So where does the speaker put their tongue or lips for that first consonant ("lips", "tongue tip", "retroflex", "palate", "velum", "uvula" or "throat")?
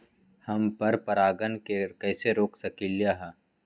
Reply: throat